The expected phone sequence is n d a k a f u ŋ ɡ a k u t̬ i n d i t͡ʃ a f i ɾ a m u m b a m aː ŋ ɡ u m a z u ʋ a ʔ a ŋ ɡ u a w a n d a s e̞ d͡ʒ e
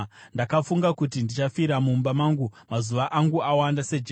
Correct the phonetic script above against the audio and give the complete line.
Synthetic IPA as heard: n d a k a f u ŋ ɡ a k u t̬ i n d i t͡ʃ a f i ɾ a m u m b a m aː ŋ ɡ u m a z u ʋ a ʔ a ŋ ɡ u a w a n d a s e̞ d͡ʒ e